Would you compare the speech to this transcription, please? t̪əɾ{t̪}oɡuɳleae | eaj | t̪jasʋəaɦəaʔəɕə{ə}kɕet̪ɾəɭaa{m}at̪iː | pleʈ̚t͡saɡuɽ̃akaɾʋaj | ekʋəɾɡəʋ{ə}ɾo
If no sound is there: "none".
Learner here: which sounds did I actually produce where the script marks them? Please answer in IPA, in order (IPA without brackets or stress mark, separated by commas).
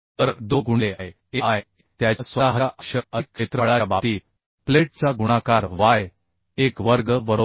d̪, ə, b, ə